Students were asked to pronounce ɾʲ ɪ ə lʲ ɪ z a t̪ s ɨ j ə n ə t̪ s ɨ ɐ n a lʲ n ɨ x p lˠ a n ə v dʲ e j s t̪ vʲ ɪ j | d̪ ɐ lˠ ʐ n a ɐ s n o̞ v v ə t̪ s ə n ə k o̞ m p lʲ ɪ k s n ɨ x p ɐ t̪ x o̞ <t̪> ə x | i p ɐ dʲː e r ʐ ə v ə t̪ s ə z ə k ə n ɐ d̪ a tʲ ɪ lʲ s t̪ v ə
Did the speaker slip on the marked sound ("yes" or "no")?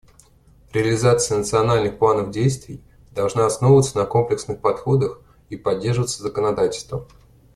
yes